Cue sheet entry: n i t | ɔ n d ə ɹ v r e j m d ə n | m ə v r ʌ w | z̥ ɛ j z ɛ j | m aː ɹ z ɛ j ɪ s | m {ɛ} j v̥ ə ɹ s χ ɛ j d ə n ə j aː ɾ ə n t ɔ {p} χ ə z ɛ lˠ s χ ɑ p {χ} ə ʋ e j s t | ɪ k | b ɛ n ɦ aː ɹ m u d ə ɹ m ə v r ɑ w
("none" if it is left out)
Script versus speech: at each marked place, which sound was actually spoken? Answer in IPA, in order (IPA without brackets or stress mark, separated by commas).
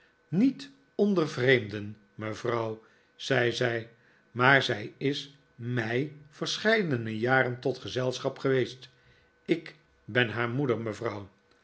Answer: ɛ, t, χ